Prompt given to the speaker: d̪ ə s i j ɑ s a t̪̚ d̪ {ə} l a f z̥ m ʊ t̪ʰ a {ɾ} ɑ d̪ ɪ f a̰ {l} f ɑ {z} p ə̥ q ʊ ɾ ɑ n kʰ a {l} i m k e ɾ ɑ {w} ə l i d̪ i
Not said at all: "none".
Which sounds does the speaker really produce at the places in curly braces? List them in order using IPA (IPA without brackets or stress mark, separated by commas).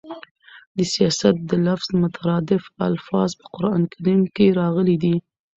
ə, ɾ, l, z, ɾ, ɣ